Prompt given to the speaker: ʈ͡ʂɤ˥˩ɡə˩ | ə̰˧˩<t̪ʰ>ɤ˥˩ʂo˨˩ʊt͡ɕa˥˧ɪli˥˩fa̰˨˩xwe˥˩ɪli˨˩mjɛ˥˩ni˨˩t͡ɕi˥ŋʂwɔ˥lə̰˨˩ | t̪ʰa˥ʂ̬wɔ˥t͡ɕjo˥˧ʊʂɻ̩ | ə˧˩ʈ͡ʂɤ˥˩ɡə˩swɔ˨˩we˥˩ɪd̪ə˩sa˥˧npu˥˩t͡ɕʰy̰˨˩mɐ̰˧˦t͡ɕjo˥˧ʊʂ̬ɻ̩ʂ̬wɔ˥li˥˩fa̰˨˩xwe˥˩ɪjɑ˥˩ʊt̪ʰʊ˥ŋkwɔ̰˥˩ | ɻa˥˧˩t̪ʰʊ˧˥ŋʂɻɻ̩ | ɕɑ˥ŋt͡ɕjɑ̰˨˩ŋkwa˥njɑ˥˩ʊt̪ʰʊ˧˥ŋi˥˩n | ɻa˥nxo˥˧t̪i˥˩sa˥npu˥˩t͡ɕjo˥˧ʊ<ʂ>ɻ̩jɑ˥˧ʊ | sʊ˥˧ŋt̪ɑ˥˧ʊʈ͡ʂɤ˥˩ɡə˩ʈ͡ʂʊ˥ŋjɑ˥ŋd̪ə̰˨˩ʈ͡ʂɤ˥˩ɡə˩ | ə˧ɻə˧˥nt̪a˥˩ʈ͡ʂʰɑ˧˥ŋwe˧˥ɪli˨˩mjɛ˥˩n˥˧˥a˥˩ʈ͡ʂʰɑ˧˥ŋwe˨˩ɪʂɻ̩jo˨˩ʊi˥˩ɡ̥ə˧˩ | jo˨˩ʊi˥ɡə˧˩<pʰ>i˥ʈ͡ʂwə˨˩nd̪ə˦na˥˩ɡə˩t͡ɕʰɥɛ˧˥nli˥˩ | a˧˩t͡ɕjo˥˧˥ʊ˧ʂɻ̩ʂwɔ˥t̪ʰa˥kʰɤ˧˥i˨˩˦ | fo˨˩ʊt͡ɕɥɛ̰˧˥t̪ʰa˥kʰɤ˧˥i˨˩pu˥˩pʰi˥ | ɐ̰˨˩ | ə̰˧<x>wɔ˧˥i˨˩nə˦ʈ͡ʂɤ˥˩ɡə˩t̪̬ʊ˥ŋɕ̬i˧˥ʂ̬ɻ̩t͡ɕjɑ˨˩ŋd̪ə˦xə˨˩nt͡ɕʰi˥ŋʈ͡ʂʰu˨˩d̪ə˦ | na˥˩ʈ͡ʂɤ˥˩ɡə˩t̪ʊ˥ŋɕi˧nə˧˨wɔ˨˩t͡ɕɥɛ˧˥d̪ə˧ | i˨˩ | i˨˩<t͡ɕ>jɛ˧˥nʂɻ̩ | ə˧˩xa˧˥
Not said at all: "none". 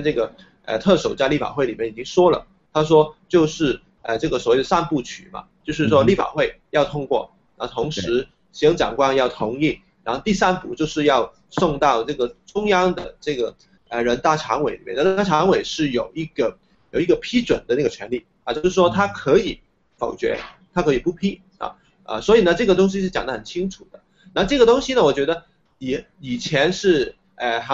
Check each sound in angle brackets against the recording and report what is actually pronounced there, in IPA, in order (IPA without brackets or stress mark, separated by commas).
t̪ʰ, ʂ, pʰ, s, t͡ɕʰ